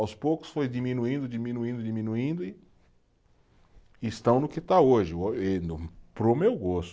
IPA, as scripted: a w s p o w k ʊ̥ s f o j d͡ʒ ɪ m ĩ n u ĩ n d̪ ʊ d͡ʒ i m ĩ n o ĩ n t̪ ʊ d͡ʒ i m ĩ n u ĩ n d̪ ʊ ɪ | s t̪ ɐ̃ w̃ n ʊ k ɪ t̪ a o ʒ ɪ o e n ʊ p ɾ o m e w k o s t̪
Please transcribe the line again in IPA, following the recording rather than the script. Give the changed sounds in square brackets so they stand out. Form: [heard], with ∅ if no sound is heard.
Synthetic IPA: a w s p o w k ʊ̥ s f o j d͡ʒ [i] m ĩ n u ĩ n d̪ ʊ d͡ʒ i m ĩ n [u] ĩ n [d̪] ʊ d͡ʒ i m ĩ n u ĩ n d̪ ʊ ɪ | s t̪ ɐ̃ w̃ n ʊ k ɪ t̪ a o ʒ ɪ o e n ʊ p ɾ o m e w [ɡ] o s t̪